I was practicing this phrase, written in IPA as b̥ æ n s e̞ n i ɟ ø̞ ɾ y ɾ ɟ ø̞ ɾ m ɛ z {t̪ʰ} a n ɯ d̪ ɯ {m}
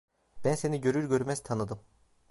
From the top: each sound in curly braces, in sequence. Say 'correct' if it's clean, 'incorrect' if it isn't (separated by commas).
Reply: correct, correct